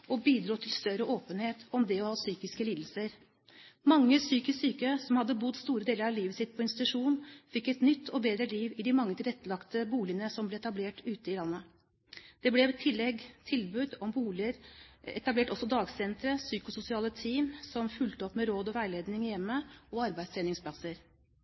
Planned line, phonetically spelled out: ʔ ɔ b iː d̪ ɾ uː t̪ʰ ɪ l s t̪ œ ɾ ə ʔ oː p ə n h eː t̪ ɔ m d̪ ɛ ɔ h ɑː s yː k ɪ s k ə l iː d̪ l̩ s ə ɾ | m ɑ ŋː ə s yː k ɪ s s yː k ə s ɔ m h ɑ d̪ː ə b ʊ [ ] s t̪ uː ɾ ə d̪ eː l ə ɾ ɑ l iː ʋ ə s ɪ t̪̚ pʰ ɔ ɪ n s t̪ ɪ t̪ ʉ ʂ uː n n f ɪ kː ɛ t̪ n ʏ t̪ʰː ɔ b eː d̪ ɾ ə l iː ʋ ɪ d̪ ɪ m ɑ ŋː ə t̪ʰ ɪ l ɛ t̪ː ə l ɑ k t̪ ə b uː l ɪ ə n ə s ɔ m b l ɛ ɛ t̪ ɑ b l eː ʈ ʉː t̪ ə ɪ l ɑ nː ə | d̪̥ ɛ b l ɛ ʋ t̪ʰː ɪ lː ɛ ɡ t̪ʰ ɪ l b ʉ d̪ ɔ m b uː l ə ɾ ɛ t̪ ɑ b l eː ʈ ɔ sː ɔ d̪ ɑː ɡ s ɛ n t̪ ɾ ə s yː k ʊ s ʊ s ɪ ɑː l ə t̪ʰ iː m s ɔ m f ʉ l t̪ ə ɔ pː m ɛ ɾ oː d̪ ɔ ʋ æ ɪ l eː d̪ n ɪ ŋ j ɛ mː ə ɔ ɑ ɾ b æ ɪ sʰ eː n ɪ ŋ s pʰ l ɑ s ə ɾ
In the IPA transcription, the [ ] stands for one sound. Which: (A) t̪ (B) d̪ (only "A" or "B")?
B